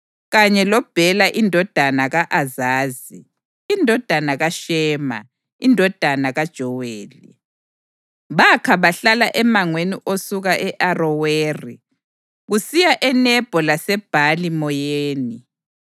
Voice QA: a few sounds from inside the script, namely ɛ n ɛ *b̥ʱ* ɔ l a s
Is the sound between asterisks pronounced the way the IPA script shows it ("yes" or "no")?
yes